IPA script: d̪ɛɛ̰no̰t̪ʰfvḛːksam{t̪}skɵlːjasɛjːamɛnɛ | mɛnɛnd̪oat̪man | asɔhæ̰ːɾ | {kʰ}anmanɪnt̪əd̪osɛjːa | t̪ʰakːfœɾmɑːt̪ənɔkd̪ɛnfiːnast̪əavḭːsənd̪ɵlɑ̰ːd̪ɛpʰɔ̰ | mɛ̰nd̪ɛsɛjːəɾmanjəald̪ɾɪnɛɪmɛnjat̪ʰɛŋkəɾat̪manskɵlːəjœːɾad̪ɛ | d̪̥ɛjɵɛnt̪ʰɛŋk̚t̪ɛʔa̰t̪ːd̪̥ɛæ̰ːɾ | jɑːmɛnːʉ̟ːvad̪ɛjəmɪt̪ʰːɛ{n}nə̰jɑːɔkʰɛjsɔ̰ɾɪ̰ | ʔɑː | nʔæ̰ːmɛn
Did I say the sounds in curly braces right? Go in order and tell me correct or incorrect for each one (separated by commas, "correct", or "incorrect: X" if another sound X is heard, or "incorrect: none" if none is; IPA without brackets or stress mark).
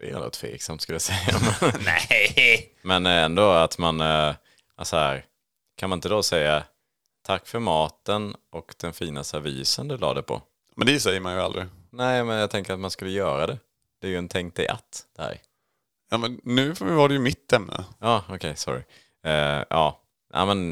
correct, correct, incorrect: m